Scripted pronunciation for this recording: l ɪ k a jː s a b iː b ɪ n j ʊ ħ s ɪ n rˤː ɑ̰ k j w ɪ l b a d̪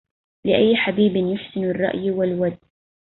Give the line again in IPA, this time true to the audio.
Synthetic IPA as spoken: l ɪ ʔ a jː ħ a b iː b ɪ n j ʊ ħ s ɪ n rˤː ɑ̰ ʔ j w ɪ l w a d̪